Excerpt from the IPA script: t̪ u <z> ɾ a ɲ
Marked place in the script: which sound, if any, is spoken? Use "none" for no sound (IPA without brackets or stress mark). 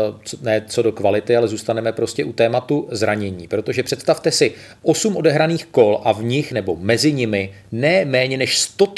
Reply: z